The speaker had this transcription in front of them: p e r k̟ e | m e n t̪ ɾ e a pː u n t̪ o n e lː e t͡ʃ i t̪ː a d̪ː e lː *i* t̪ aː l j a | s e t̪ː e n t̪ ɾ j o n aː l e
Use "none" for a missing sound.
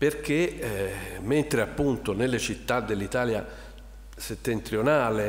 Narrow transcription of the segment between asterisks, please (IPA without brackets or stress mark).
i